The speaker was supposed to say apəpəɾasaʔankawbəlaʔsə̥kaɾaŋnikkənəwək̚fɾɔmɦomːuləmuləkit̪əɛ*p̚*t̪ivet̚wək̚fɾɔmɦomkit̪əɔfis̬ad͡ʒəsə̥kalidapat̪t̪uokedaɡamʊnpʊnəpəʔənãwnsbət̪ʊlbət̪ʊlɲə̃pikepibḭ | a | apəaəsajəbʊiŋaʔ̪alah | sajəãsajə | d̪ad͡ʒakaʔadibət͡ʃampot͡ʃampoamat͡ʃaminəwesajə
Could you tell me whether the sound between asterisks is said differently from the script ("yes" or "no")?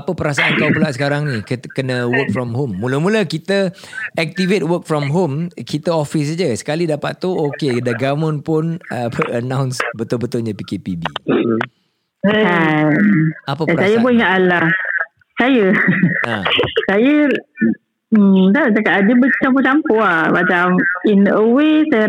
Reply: yes